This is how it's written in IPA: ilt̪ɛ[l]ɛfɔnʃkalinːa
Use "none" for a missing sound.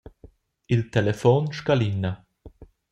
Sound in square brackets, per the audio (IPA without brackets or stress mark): l